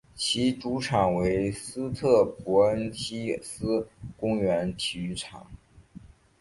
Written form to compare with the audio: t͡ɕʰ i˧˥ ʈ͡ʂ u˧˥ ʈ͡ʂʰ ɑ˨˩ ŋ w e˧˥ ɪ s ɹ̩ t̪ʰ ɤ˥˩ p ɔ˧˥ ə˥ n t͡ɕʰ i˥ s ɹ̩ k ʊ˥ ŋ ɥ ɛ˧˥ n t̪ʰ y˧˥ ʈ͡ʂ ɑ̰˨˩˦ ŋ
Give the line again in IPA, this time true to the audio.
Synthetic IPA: t͡ɕʰ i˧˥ ʈ͡ʂ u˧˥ ʈ͡ʂʰ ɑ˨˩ ŋ w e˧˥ ɪ s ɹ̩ t̪ʰ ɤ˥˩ p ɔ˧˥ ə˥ n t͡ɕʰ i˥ s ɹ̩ k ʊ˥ ŋ ɥ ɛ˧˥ n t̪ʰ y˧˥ ʈ͡ʂʰ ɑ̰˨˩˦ ŋ